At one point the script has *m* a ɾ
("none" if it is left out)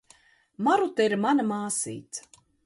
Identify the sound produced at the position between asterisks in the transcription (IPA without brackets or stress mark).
m